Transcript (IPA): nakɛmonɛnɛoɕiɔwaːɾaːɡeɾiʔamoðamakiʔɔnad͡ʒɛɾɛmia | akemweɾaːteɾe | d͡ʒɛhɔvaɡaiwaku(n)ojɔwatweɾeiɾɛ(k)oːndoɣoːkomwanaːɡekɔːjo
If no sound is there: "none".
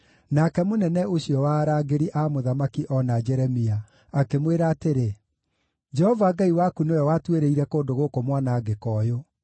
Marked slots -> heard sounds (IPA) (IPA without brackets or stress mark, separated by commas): n, k